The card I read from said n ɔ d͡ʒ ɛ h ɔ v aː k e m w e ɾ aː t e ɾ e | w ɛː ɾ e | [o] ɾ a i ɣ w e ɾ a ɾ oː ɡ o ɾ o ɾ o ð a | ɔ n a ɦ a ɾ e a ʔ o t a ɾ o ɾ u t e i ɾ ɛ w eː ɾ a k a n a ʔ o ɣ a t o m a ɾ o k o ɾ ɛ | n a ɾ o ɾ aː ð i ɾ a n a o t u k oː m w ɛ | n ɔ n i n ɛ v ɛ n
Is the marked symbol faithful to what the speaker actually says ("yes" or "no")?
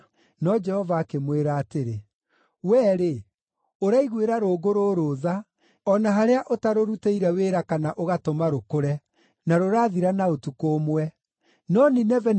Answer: yes